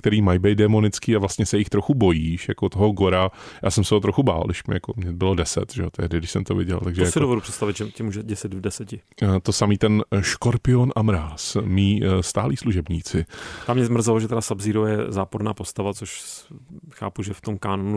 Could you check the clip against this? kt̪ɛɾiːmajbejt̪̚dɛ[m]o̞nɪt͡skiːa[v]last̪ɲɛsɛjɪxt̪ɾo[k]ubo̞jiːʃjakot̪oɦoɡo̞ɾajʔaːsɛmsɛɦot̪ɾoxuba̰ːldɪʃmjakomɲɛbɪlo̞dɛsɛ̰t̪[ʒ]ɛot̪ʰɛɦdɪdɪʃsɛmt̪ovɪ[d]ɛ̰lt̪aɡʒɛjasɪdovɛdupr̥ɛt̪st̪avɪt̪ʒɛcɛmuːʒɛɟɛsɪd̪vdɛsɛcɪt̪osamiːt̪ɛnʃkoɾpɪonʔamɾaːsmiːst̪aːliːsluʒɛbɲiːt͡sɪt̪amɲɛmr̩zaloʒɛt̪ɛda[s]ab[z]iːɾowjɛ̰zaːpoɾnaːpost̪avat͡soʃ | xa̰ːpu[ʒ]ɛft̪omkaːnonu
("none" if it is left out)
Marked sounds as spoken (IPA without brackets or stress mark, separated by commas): m, v, x, ʒ, ɟ, s, z, ʒ